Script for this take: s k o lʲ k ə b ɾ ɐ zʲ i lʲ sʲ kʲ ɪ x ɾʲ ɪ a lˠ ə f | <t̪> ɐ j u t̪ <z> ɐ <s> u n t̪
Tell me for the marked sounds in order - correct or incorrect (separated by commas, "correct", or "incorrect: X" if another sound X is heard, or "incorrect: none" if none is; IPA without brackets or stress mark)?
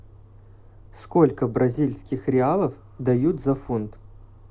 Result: incorrect: d̪, correct, incorrect: f